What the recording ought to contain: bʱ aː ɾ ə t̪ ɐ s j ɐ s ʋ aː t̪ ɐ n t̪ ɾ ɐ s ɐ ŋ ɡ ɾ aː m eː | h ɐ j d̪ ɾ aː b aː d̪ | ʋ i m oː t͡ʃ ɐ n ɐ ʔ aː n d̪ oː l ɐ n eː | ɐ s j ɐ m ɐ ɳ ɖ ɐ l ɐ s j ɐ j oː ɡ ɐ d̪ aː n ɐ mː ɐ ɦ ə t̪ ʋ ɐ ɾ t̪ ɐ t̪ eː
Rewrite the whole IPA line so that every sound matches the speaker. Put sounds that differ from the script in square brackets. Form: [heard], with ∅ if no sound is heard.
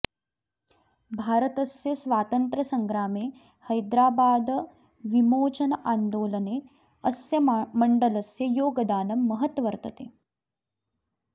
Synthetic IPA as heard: bʱ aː ɾ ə t̪ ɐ s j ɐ s ʋ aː t̪ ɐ n t̪ ɾ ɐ s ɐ ŋ ɡ ɾ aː m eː | h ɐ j d̪ ɾ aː b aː d̪ | ʋ i m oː t͡ʃ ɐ n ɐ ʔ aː n d̪ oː l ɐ n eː | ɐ s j ɐ m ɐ ɳ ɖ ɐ l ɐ s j ɐ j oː ɡ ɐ d̪ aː n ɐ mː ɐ ɦ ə t̪ ʋ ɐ ɾ t̪ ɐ t̪ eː